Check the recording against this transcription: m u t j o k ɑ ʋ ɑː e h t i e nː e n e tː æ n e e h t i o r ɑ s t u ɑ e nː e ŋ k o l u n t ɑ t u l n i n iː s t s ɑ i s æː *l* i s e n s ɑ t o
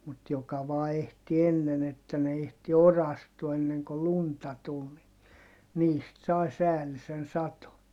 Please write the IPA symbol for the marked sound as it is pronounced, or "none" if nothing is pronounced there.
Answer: l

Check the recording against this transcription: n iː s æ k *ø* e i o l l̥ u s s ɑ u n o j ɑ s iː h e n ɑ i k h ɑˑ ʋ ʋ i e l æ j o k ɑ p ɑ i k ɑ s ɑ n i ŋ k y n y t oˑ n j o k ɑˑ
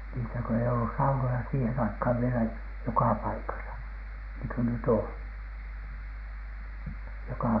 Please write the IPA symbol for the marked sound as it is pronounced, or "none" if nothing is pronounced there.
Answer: ø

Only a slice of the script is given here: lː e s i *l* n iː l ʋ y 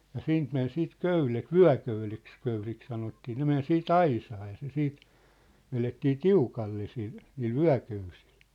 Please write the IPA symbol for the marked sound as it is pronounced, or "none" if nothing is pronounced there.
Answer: l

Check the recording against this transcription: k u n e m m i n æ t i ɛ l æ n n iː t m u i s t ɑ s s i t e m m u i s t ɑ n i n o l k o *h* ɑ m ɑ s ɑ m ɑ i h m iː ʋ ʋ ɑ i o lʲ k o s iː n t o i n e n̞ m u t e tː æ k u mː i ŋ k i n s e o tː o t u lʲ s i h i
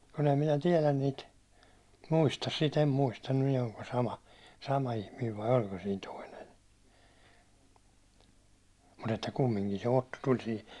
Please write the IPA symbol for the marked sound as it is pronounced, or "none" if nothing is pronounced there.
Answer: s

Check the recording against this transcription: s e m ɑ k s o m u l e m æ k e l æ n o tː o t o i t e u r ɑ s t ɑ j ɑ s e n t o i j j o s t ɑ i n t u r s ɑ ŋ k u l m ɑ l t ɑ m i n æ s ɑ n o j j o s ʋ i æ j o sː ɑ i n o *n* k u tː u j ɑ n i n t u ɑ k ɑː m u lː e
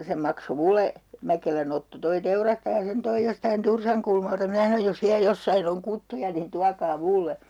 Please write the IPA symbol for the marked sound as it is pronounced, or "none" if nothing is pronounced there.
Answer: ŋ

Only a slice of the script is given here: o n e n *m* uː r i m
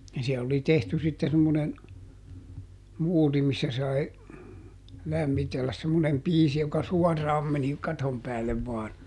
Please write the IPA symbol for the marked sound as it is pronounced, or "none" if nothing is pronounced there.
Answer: m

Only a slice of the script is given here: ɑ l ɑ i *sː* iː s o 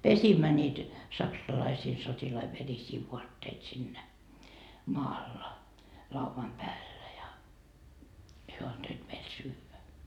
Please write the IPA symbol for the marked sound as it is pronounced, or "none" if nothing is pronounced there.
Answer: s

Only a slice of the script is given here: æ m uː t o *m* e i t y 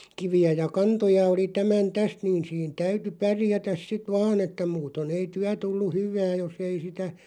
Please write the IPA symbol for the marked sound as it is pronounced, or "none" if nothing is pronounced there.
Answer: n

